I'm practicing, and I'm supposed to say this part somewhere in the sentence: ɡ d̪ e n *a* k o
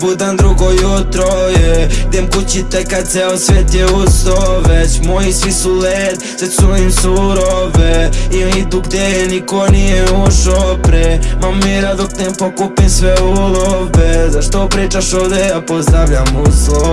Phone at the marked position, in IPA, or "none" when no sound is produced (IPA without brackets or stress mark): i